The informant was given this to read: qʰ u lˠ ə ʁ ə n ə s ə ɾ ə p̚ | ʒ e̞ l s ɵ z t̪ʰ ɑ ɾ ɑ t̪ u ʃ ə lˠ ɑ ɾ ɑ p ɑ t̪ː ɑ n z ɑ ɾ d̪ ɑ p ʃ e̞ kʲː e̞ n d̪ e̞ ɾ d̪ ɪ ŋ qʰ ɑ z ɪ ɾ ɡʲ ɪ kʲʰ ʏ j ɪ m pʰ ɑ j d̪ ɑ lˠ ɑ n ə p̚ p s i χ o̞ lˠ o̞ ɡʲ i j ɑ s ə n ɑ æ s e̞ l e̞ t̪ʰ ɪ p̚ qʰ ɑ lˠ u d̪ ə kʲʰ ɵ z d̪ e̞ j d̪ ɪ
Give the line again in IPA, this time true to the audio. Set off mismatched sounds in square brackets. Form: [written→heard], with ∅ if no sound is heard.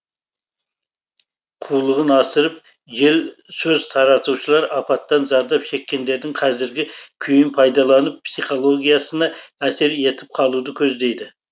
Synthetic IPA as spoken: qʰ u lˠ ə ʁ ə n [ə→ɑ] s ə ɾ ə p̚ | ʒ e̞ l s ɵ z t̪ʰ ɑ ɾ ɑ t̪ u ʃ ə lˠ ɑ ɾ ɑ p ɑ t̪ː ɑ n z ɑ ɾ d̪ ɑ p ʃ e̞ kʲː e̞ n d̪ e̞ ɾ d̪ ɪ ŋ qʰ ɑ z ɪ ɾ ɡʲ ɪ kʲʰ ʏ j ɪ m pʰ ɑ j d̪ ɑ lˠ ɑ n ə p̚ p s i χ o̞ lˠ o̞ ɡʲ i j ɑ s ə n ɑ æ s e̞ [l→ɾ] e̞ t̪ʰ ɪ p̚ qʰ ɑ lˠ u d̪ ə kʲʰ ɵ z d̪ e̞ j d̪ ɪ